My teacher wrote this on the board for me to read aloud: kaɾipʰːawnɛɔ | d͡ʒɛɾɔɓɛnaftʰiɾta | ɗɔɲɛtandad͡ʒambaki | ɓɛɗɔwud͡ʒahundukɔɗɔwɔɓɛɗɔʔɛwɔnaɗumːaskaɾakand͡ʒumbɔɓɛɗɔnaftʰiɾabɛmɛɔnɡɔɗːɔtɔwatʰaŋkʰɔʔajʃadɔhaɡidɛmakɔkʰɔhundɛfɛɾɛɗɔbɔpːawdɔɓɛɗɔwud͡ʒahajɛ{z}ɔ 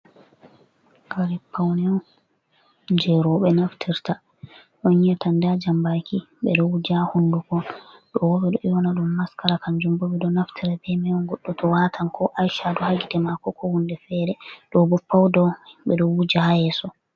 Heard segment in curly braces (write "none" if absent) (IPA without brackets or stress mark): s